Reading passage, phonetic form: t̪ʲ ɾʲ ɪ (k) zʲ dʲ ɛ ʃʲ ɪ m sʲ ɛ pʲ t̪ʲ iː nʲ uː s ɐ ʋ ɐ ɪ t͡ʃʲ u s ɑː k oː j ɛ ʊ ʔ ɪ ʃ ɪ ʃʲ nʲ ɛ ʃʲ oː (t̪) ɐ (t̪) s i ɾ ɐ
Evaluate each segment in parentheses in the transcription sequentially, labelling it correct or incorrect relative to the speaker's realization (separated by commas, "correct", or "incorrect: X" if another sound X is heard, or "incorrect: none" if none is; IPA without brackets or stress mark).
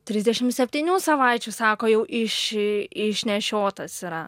incorrect: none, correct, incorrect: none